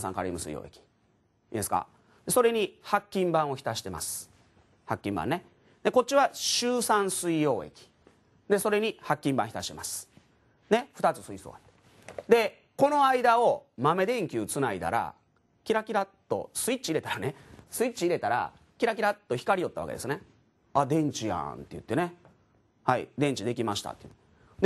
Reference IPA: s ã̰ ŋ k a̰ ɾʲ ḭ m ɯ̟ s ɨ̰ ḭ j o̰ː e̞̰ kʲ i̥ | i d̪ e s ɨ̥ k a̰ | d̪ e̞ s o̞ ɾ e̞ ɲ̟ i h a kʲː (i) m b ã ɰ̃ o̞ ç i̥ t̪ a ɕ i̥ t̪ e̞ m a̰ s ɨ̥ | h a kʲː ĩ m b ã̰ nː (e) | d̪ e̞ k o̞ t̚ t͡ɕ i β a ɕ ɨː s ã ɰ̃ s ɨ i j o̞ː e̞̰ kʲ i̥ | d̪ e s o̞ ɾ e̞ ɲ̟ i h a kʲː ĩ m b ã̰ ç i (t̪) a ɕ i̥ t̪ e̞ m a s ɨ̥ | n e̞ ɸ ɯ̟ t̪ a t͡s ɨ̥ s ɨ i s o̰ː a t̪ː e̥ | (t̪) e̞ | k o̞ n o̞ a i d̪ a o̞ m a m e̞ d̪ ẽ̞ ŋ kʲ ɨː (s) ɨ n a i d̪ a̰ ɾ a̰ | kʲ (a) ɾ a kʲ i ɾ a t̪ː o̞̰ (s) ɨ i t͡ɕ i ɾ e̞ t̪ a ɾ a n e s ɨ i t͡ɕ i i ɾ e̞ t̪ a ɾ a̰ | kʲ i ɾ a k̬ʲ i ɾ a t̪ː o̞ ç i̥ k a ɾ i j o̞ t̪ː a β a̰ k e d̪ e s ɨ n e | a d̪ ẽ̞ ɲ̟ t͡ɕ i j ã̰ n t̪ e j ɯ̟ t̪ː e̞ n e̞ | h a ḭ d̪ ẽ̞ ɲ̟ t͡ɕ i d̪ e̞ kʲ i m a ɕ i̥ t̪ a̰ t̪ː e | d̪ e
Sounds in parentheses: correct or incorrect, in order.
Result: incorrect: ĩ, correct, correct, incorrect: d̪, incorrect: t͡s, incorrect: i, correct

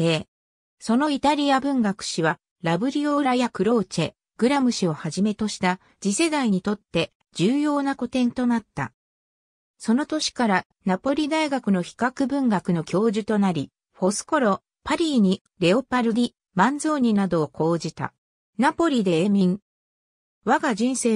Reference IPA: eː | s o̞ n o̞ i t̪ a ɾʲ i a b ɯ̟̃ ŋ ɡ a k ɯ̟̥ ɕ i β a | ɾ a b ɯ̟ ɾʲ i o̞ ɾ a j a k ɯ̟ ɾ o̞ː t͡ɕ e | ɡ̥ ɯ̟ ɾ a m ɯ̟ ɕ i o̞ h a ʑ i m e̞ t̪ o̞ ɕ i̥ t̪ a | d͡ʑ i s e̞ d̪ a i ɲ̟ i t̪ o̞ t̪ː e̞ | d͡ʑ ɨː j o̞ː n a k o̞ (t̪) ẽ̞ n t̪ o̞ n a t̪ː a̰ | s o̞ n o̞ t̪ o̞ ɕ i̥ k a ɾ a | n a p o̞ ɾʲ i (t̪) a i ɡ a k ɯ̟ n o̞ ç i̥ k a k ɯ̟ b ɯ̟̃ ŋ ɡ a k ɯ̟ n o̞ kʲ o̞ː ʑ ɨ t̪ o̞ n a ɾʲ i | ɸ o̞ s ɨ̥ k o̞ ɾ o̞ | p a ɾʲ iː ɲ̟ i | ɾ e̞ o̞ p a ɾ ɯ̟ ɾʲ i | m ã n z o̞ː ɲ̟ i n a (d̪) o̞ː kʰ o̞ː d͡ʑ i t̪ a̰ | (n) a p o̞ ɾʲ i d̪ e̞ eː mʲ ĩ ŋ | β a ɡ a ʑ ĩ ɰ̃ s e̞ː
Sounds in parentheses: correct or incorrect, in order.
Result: correct, incorrect: d̪, correct, correct

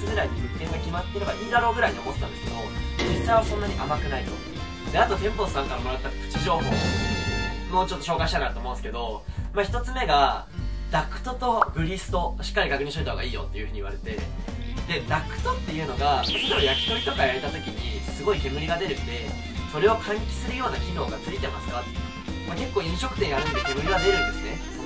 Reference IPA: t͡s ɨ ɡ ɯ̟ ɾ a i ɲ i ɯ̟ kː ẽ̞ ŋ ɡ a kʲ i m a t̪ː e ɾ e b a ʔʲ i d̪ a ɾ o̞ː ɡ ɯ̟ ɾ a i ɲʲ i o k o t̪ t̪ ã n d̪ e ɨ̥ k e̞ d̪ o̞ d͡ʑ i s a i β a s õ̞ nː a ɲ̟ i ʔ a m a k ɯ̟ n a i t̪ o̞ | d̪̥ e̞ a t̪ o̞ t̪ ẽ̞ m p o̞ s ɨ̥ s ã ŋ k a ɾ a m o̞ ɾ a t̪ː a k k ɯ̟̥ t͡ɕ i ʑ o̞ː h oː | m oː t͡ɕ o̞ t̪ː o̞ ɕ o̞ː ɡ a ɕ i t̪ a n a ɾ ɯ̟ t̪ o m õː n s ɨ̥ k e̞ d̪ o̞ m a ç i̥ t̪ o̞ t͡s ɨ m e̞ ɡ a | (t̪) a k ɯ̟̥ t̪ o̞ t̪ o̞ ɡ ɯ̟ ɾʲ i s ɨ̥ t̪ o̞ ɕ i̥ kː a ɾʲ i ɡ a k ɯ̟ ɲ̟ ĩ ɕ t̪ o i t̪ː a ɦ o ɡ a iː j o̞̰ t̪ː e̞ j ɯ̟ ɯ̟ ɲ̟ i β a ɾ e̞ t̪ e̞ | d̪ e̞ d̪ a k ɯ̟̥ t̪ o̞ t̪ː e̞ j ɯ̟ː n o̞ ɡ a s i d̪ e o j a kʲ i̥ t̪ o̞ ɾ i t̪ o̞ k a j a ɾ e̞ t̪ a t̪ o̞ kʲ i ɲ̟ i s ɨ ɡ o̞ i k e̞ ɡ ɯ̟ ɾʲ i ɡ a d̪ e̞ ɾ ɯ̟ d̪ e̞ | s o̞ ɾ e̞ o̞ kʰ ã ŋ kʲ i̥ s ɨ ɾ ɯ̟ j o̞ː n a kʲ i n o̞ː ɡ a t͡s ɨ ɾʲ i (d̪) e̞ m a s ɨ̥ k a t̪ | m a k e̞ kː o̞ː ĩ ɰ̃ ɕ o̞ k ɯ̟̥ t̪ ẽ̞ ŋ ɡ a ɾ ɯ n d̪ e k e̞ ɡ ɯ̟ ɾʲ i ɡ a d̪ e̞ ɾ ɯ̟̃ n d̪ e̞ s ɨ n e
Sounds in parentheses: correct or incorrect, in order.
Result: incorrect: d̪, incorrect: t̪

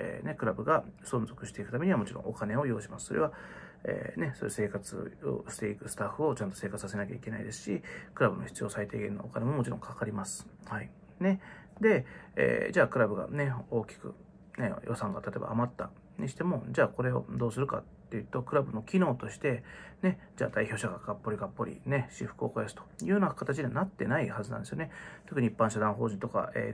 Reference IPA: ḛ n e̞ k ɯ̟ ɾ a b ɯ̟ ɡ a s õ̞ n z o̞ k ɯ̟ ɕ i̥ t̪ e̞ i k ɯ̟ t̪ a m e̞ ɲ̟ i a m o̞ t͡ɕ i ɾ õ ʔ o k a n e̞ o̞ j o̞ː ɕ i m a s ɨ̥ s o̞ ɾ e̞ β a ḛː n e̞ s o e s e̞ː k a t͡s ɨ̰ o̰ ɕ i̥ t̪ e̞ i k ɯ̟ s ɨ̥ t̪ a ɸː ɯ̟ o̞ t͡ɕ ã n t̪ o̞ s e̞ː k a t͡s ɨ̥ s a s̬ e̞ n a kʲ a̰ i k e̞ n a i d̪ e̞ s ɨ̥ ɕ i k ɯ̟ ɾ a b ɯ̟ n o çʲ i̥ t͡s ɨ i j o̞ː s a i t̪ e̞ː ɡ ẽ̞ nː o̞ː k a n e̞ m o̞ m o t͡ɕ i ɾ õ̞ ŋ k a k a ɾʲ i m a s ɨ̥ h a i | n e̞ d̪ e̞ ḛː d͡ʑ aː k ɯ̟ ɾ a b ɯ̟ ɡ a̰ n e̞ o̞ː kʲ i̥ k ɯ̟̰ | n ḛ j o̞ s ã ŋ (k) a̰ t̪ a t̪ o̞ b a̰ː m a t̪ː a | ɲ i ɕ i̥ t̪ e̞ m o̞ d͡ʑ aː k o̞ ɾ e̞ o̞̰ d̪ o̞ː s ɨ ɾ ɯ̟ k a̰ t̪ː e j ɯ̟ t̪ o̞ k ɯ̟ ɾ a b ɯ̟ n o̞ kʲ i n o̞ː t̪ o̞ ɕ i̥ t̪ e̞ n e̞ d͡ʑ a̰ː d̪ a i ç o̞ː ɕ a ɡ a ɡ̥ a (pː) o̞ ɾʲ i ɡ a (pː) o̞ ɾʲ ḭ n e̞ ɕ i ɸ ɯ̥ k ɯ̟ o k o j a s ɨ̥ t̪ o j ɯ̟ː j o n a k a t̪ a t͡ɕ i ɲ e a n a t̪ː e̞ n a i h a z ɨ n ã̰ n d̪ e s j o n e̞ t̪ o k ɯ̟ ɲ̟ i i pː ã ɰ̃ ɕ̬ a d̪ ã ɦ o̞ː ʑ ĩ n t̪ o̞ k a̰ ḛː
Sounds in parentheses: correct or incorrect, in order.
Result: incorrect: ɡ, correct, correct

